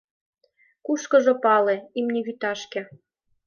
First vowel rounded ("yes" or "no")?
yes